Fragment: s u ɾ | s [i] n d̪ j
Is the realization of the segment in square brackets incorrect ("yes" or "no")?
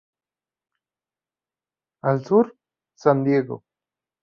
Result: yes